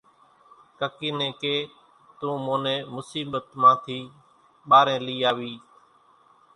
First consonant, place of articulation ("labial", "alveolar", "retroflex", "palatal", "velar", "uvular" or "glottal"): velar